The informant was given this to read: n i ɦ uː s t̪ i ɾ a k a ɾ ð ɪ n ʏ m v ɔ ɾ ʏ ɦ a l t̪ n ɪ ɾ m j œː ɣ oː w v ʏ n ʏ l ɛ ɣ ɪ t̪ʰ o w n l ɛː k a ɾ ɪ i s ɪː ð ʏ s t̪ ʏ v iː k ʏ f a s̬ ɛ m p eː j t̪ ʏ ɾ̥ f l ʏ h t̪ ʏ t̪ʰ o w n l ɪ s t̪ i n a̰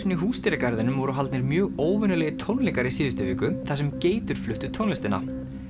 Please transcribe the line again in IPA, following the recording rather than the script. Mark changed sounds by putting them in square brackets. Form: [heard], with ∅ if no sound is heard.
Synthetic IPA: n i ɦ uː s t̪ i ɾ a k a ɾ ð ɪ n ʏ m v ɔ ɾ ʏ ɦ a l t̪ n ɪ ɾ m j œː ɣ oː w v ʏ n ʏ l ɛ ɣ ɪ t̪ʰ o w n l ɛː k a ɾ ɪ i s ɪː ð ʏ s t̪ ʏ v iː k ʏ [θ] a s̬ ɛ m [c] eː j t̪ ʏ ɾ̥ f l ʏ h t̪ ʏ t̪ʰ o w n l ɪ s t̪ [ɪ] n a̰